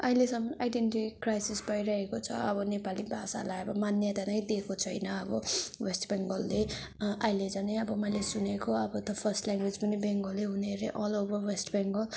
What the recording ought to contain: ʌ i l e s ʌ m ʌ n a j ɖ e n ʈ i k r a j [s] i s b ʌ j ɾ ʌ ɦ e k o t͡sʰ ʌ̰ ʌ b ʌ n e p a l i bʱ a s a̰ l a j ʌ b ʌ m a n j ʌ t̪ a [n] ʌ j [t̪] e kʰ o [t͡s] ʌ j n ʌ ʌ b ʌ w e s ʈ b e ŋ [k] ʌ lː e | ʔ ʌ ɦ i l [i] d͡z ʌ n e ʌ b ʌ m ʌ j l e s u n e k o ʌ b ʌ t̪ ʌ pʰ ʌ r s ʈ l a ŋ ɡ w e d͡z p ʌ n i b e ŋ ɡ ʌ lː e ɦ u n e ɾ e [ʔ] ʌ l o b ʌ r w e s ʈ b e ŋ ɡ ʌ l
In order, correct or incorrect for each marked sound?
correct, correct, incorrect, incorrect, incorrect, incorrect, correct

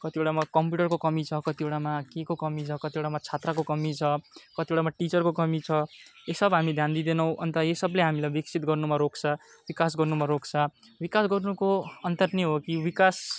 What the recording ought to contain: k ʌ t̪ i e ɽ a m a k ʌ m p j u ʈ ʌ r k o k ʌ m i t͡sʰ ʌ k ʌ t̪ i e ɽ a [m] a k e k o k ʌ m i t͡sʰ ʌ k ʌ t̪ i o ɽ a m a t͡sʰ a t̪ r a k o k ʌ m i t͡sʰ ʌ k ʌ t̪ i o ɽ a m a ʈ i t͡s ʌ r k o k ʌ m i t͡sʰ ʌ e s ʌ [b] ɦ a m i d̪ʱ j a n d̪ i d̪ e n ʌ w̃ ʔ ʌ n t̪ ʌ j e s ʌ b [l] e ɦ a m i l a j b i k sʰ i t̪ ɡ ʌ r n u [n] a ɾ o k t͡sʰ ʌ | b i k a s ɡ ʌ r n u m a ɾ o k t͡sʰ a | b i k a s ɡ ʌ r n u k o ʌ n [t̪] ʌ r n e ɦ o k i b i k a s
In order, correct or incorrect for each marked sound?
correct, correct, correct, incorrect, correct

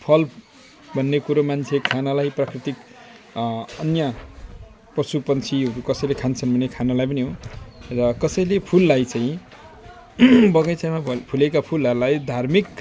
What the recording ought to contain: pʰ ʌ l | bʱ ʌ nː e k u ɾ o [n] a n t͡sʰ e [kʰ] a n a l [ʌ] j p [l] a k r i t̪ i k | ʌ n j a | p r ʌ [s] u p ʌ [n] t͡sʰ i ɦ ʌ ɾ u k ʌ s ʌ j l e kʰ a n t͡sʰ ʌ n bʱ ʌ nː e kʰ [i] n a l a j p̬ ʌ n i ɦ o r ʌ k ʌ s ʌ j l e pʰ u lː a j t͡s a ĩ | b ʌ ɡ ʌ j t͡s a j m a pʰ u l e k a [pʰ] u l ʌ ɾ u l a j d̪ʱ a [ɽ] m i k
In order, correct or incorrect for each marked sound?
incorrect, correct, incorrect, incorrect, correct, correct, incorrect, correct, incorrect

